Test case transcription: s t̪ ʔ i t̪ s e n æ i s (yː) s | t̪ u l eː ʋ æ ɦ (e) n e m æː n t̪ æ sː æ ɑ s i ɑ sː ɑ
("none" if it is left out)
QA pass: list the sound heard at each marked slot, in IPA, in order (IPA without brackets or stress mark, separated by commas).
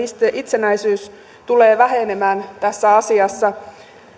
yː, e